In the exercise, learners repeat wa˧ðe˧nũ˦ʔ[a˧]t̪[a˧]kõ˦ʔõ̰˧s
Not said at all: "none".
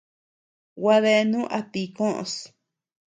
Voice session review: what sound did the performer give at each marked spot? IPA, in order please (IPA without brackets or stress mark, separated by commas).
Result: a˧, i˧